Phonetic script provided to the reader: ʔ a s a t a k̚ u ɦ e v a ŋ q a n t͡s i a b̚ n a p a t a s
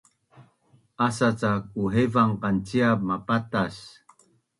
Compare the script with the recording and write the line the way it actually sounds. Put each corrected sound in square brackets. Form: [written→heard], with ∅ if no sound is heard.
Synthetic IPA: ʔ a s a [t→t͡s] a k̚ u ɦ e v a ŋ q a n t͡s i a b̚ [n→m] a p a t a s

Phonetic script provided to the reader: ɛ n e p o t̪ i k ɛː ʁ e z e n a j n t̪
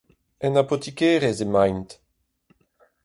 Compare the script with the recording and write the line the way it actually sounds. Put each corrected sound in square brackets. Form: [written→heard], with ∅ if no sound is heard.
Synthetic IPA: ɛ n [e→a] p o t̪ i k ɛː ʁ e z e [n→m] a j n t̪

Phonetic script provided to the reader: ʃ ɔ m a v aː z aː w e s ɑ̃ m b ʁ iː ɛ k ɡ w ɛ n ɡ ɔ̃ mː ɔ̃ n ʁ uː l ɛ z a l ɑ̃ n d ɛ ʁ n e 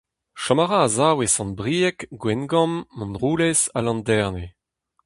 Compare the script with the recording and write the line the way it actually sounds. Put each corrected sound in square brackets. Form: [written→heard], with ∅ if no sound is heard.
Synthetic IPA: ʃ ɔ m a [v→ʁ] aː z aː w e s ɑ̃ [m→n] b ʁ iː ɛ k ɡ w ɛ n ɡ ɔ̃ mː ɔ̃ n ʁ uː l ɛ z a l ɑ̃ n d ɛ ʁ n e

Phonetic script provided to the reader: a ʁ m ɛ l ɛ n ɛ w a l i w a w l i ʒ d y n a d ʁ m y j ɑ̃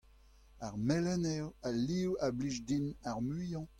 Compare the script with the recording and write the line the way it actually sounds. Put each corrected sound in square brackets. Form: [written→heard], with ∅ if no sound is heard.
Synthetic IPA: a ʁ m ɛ l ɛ n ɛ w a l i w a [w→b] l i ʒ d [y→i] n a [d→∅] ʁ m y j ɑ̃

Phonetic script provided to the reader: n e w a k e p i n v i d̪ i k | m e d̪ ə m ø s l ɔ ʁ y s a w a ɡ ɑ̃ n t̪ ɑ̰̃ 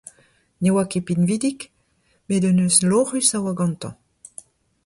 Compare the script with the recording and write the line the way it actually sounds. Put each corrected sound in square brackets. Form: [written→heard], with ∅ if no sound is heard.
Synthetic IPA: n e w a k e p i n v i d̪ i k | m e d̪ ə [m→n] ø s l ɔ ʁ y s a w a ɡ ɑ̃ n t̪ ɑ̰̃

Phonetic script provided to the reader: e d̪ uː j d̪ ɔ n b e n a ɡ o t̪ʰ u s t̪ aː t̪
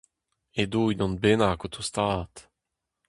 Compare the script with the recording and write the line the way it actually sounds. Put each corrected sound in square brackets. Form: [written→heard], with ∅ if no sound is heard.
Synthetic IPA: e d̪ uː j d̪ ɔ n b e n a [ɡ→k] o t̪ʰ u s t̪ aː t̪

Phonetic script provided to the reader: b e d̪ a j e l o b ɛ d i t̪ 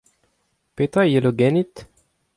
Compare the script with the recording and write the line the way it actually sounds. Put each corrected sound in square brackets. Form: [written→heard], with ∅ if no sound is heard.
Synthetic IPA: [b→p] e [d̪→t̪] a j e l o [b→ɡ] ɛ [d→n] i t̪

